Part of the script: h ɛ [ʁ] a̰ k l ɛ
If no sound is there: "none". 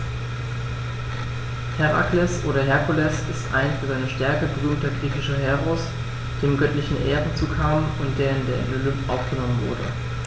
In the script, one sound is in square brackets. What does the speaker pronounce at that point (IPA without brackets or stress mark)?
ʁ